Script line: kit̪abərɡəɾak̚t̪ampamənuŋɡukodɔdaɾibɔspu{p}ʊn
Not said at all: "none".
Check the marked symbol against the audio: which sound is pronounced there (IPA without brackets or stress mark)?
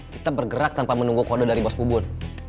b